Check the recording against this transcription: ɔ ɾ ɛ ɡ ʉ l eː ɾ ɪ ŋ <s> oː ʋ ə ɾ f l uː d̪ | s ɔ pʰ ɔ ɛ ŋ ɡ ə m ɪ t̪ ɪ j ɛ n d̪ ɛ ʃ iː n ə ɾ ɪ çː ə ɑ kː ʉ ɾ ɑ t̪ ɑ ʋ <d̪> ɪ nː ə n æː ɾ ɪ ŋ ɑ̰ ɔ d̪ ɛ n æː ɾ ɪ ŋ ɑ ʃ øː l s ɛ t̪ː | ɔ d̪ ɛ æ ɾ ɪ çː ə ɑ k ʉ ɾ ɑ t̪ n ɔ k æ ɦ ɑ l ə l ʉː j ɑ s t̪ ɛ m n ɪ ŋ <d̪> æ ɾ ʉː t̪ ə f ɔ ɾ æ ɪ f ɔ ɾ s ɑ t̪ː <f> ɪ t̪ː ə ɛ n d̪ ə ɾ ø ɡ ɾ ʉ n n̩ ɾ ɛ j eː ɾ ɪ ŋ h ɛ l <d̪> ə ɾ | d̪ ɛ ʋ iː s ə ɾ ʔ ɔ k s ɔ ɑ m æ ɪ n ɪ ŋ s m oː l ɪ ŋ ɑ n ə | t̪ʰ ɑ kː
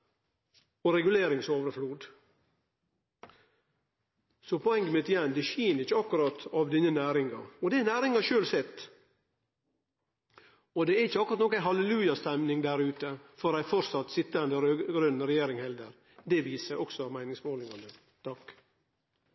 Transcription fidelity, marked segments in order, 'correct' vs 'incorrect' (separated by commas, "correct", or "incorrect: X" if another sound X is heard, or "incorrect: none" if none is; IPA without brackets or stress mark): correct, correct, correct, incorrect: s, correct